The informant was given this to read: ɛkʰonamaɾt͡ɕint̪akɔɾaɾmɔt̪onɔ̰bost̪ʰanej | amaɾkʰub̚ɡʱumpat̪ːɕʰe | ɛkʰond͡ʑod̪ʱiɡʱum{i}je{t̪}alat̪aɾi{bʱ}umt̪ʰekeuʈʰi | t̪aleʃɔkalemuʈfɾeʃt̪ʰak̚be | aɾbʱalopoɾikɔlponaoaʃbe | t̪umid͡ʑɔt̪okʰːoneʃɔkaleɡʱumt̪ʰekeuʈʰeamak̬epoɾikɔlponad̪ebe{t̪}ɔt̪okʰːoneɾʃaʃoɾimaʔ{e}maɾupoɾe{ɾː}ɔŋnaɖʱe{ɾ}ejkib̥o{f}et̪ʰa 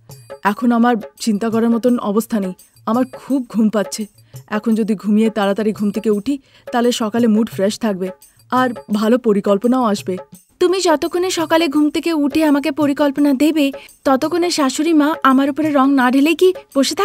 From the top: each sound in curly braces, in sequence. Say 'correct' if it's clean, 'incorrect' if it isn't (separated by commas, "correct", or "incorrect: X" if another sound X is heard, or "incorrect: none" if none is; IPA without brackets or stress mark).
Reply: correct, correct, incorrect: ɡʱ, correct, incorrect: a, incorrect: ɾ, incorrect: l, incorrect: ʃ